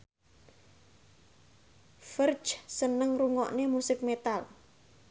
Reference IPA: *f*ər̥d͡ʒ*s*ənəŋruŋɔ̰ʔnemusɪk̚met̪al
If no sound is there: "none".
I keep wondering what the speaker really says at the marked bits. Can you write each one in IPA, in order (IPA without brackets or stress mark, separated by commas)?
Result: f, s